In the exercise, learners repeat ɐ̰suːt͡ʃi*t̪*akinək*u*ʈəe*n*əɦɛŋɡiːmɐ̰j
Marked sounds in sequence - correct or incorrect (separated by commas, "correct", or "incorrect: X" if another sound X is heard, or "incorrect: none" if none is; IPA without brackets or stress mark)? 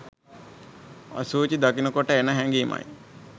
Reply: incorrect: d̪, incorrect: o, correct